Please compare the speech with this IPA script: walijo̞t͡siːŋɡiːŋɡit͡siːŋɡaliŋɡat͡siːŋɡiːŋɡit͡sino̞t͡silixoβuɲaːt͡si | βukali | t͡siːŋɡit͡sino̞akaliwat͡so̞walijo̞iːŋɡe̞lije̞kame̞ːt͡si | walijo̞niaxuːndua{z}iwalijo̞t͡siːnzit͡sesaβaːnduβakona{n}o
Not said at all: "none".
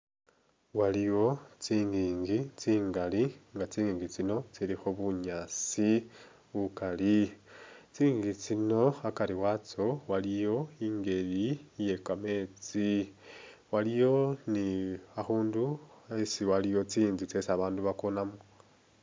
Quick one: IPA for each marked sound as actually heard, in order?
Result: s, m

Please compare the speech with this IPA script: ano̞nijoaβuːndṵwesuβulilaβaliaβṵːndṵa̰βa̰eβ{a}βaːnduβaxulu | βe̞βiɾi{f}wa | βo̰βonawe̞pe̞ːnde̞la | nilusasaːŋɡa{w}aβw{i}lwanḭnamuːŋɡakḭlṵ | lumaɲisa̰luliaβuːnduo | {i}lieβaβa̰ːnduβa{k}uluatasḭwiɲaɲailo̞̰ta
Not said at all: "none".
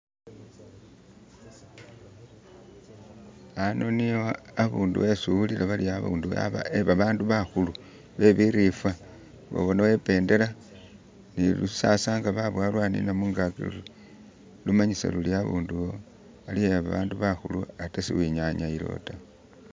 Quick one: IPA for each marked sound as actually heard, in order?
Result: a, f, β, a, a, x

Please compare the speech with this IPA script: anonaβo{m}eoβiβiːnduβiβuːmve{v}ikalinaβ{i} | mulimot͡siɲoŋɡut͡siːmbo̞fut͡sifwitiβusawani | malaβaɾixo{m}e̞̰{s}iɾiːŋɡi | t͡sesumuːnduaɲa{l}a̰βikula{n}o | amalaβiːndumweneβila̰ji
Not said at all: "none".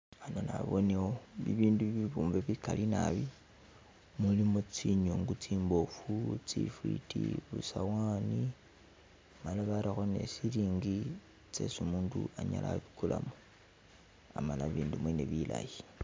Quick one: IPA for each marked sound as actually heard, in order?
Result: n, β, i, n, s, l, m

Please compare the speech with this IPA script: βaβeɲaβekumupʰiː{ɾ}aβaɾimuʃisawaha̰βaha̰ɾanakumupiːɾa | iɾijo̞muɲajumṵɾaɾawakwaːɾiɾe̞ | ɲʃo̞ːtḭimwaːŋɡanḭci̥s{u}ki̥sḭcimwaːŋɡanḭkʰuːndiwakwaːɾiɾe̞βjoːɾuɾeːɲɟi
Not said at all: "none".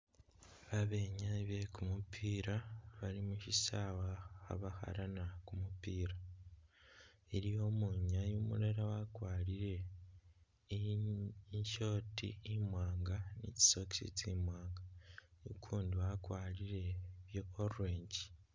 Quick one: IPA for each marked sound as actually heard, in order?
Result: ɾ, o

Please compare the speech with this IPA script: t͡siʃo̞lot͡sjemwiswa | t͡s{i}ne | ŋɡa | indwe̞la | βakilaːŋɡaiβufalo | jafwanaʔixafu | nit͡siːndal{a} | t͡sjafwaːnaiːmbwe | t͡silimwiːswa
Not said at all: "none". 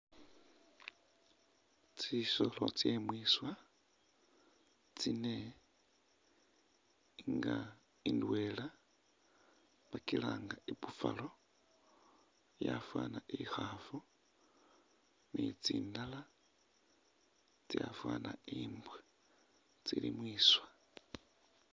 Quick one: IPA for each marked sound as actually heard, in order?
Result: i, a

